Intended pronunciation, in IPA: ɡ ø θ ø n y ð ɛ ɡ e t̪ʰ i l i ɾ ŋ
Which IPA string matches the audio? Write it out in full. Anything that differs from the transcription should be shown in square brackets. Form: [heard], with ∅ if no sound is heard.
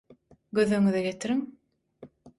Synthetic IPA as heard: ɡ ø [ð] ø [ŋ] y ð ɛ ɡ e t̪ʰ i [ɾ] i [∅] ŋ